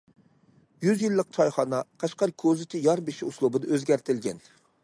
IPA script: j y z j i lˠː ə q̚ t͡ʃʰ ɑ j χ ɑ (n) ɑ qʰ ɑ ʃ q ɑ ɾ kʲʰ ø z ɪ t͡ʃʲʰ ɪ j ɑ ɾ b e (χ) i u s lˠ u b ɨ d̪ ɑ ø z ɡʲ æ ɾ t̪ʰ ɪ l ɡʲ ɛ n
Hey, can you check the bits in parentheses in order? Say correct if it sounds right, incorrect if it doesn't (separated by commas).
correct, incorrect